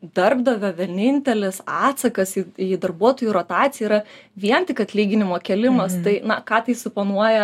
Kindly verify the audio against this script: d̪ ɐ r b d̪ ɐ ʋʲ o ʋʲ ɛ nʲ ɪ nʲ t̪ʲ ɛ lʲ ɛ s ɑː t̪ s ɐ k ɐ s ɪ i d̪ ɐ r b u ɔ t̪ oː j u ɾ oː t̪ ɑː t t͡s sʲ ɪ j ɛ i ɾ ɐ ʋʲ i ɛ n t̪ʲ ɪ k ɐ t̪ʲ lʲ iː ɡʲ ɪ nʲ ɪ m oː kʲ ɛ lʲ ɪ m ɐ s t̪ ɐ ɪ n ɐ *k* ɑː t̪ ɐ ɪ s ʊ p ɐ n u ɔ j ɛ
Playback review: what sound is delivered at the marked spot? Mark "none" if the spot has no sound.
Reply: k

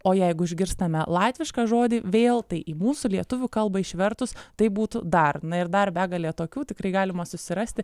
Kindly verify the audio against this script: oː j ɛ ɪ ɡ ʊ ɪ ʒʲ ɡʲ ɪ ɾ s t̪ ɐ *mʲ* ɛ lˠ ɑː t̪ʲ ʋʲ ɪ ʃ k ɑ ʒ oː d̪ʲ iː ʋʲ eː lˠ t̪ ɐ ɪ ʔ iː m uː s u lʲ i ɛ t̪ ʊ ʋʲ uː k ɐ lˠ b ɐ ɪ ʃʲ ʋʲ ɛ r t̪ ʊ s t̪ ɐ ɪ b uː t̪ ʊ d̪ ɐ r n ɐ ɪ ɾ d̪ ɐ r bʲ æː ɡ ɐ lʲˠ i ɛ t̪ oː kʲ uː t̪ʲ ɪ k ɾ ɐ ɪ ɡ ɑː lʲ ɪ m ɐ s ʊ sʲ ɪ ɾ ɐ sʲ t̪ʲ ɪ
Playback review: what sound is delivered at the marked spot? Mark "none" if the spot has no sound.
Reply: mʲ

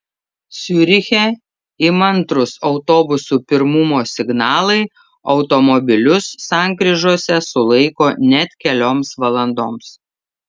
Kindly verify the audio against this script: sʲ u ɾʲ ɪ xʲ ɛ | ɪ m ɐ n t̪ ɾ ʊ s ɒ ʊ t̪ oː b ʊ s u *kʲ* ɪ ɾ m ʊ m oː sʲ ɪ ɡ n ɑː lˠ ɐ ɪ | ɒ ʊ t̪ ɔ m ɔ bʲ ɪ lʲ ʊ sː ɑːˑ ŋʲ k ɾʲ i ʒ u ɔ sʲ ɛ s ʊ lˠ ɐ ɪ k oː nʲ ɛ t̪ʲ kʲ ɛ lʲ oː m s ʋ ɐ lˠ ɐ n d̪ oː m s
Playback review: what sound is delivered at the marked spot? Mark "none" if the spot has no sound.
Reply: pʲ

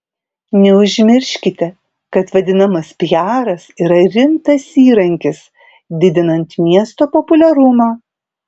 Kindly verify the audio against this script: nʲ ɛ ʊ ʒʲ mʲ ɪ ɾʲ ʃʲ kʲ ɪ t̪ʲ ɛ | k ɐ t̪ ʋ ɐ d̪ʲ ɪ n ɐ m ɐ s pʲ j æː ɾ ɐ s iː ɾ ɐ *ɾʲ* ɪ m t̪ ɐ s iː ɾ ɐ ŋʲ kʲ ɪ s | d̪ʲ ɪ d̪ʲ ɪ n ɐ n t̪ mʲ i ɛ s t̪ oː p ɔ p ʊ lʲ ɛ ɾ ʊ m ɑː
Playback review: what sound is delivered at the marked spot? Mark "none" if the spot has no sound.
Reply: ɾʲ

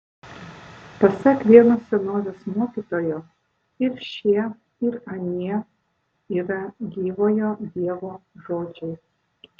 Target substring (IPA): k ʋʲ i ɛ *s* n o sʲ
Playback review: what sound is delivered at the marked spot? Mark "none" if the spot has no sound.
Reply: none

